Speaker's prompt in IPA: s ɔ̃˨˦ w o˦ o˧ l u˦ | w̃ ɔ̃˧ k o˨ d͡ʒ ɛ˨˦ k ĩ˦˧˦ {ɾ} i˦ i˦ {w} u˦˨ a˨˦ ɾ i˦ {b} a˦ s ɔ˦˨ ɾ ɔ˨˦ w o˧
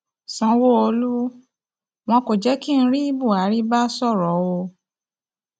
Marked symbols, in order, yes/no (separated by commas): yes, no, yes